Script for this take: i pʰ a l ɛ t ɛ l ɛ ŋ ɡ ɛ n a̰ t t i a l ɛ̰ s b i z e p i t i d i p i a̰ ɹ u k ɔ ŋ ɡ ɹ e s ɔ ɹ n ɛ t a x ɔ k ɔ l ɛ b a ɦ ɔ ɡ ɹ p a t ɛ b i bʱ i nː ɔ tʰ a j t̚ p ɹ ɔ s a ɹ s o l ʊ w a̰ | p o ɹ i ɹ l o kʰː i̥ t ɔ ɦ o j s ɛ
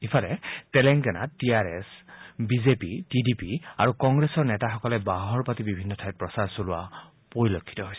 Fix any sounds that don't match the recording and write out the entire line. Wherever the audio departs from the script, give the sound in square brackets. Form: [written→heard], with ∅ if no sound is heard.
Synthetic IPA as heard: i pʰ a l ɛ t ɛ l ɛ ŋ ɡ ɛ n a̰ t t i a [l→ɹ] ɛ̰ s b i z e p i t i d i p i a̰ ɹ u k ɔ ŋ ɡ ɹ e s ɔ ɹ n ɛ t a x ɔ k ɔ l ɛ b a ɦ ɔ [ɡ→∅] ɹ p a t [ɛ→i] b i bʱ i nː ɔ tʰ a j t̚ p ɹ ɔ s a ɹ s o l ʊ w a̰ | p o ɹ i [ɹ→∅] l o kʰː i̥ t ɔ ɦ o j s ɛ